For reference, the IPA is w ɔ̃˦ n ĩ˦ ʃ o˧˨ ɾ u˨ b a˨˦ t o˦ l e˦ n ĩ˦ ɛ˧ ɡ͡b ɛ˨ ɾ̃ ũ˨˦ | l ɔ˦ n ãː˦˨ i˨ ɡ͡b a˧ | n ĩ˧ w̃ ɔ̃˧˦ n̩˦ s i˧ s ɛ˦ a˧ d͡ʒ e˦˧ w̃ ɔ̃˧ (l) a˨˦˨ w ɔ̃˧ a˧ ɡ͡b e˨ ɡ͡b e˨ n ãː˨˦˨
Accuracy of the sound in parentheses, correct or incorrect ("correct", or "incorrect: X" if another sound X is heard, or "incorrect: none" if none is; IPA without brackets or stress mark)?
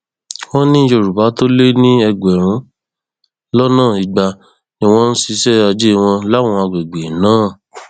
correct